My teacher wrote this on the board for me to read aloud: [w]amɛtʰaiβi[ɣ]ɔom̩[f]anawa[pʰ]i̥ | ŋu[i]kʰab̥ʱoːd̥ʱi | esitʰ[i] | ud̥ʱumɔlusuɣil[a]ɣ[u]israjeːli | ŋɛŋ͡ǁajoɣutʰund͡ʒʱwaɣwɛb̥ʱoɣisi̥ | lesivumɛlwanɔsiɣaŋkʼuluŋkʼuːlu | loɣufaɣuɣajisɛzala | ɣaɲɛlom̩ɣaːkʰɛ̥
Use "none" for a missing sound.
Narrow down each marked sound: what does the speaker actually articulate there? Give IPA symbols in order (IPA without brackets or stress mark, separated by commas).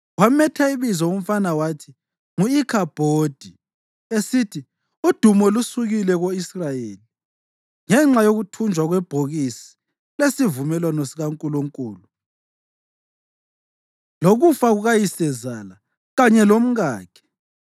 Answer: w, z, f, tʰ, i, i, ɛ, o